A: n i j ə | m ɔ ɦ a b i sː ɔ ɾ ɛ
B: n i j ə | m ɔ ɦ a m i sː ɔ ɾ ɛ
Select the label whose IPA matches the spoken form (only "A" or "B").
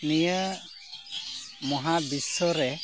A